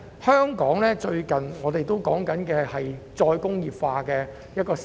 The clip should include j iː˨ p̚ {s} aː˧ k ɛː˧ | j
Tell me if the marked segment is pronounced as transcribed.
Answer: no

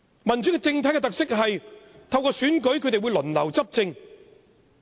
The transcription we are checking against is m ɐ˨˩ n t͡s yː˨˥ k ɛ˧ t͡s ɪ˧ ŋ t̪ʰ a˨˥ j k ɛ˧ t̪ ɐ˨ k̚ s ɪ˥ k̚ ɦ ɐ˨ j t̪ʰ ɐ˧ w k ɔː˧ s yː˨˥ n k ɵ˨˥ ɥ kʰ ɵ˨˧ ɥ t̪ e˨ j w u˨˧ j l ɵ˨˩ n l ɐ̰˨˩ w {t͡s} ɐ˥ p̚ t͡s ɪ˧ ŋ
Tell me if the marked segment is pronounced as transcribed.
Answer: yes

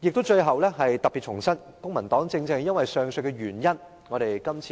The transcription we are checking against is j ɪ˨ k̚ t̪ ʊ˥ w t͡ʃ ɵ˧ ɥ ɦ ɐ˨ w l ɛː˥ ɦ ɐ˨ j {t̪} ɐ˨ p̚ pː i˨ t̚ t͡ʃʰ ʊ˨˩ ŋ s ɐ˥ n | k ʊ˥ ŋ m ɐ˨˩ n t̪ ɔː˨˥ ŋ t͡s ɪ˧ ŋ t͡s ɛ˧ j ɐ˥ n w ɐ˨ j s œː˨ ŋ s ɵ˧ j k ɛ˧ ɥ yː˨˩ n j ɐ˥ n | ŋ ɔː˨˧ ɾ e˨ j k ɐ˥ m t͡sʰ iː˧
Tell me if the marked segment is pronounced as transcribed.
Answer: yes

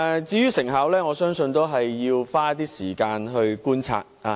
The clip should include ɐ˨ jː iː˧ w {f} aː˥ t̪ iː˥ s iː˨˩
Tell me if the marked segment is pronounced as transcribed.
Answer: yes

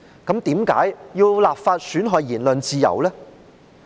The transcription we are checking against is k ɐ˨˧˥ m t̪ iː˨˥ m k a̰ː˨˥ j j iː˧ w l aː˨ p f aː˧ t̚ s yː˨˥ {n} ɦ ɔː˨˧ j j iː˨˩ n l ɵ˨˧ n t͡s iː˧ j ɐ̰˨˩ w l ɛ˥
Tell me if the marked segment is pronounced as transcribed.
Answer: yes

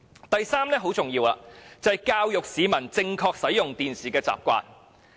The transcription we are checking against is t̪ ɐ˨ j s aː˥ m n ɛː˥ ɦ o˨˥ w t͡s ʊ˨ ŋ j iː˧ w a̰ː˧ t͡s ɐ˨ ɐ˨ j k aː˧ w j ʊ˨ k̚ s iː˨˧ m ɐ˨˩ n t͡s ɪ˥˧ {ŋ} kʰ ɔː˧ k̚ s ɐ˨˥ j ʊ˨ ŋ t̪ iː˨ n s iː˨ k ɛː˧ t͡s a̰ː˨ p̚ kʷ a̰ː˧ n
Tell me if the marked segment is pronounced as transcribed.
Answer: yes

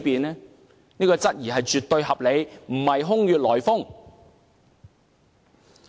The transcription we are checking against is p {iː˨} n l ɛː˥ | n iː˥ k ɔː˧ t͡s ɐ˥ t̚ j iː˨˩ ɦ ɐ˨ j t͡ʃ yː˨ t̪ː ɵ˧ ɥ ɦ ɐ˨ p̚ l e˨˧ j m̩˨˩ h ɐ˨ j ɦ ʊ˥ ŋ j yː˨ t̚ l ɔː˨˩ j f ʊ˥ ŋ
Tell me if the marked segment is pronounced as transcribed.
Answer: yes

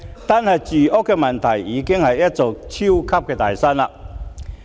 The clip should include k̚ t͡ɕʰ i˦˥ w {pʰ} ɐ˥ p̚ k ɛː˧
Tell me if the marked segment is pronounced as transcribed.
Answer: no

